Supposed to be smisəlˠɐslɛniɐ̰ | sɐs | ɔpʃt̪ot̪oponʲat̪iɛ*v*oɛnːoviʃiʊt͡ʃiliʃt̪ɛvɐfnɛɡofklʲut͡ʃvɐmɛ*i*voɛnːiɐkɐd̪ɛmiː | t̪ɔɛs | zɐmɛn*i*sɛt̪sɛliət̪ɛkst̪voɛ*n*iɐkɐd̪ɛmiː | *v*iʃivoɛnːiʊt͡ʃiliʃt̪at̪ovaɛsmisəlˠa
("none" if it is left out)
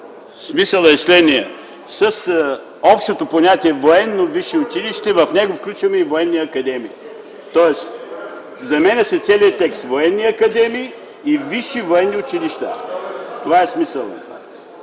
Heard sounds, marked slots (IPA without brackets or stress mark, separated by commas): v, i, ɛ, nː, v